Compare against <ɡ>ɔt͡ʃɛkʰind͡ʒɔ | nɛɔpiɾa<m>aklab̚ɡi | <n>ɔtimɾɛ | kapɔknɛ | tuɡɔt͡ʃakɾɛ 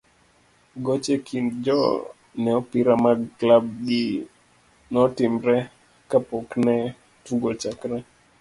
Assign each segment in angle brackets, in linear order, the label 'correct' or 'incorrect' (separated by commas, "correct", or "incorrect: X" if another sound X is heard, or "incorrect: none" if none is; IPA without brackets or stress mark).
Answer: correct, correct, correct